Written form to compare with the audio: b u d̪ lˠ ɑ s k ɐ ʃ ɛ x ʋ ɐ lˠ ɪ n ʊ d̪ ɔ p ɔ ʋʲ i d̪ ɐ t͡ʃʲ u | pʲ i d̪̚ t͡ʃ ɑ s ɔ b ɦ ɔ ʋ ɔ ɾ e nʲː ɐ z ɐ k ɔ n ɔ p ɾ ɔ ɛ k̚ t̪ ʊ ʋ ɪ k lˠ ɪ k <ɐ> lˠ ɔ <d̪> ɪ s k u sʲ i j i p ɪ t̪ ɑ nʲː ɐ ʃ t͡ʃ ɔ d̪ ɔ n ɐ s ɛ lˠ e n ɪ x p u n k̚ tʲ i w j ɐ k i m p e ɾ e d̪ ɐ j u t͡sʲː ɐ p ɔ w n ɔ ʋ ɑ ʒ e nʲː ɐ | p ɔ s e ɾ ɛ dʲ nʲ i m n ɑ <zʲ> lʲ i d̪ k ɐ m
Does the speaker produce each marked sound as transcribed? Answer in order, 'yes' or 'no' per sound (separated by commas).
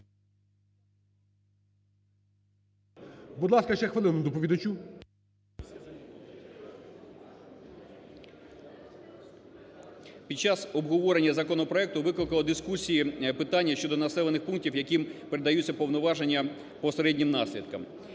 yes, yes, no